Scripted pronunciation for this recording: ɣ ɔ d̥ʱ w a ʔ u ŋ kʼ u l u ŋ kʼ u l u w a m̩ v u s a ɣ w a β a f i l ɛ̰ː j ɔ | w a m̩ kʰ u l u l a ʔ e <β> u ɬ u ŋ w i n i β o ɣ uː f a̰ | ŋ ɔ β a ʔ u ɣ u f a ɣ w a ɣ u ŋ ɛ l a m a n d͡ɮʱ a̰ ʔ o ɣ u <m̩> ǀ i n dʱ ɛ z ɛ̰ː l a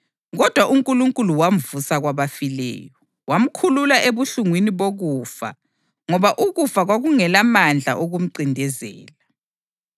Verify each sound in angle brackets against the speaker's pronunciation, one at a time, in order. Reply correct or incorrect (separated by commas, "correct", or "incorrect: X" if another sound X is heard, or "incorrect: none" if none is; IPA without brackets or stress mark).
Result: correct, correct